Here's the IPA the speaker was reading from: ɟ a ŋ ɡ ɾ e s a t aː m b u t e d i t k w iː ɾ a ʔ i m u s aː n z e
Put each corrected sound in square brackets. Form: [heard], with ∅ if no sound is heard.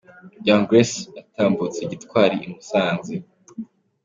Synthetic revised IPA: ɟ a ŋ ɡ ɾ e s a t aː m b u [t͡s] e [ɟ] i t k w [aː] ɾ [i] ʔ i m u s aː n z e